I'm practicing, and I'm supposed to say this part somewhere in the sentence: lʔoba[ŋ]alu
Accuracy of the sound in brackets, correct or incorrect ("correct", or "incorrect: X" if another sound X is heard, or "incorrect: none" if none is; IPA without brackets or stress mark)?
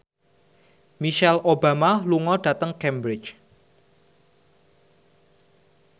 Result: incorrect: m